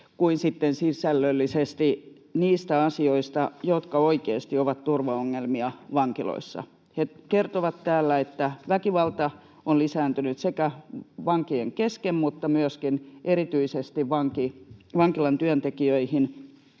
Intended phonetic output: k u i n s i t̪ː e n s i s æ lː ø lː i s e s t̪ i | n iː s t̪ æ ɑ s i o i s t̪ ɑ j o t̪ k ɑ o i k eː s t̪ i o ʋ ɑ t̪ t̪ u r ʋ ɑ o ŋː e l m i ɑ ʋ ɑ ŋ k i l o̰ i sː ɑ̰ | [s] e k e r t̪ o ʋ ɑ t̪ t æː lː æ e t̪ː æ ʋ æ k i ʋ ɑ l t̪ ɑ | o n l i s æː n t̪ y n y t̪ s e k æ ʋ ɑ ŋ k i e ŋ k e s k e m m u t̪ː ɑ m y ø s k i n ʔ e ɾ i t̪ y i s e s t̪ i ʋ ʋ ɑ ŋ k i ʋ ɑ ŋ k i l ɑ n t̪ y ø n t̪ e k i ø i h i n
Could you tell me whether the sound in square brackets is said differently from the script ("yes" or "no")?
yes